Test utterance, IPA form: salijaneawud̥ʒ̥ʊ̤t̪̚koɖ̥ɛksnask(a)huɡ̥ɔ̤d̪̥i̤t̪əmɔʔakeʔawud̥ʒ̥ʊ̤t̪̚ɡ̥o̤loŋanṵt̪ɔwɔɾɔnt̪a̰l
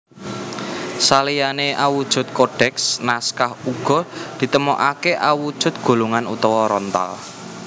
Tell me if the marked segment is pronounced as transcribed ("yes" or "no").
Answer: yes